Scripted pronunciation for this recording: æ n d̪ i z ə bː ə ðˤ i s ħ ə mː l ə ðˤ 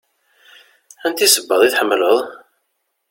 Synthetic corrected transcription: æ n t̪ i s ə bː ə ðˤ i θ ħ ə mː l ə ðˤ